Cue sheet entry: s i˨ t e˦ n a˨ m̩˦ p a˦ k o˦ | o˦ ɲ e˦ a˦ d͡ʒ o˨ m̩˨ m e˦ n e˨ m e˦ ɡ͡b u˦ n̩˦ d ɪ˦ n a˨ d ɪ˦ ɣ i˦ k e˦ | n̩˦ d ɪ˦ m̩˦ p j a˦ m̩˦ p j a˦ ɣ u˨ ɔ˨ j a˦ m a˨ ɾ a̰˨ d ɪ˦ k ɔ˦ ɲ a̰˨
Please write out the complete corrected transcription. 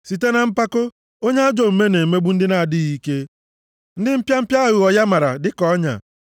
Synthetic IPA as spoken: s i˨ t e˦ n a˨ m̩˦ p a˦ k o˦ | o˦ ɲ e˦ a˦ d͡ʒ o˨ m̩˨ m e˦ n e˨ m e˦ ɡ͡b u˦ n̩˦ d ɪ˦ n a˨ d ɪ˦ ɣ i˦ k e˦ | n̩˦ d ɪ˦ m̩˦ p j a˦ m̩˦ p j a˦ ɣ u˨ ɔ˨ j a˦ m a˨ ɾ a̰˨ d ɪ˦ k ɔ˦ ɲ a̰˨